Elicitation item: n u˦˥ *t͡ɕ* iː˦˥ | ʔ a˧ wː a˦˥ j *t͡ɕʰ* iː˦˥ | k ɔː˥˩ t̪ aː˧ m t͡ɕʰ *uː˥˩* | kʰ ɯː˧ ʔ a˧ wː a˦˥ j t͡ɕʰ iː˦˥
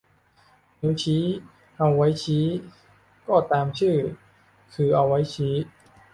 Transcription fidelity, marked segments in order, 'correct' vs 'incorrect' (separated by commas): incorrect, correct, incorrect